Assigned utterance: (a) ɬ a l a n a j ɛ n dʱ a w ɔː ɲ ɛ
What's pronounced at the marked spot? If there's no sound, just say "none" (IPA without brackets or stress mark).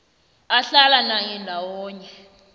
a